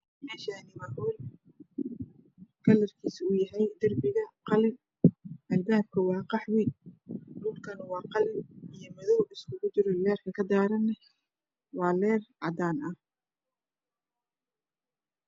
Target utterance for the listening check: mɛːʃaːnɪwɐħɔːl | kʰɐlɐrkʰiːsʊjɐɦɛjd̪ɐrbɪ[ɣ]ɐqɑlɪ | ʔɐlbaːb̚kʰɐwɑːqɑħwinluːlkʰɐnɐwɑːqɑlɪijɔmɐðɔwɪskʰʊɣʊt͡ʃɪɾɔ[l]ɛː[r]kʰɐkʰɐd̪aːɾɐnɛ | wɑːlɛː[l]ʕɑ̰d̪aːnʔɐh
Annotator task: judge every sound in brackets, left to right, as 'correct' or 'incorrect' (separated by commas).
correct, correct, correct, incorrect